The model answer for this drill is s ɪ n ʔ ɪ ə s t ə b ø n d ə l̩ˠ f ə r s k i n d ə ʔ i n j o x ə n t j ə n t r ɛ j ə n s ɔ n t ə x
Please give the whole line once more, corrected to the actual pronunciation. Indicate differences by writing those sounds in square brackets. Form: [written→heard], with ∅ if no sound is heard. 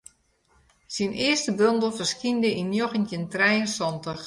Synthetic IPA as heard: s [ɪ→i] n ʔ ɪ ə s t ə b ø n d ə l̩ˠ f ə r s k i n d ə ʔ i n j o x ə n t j ə n t r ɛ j ə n s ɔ n t ə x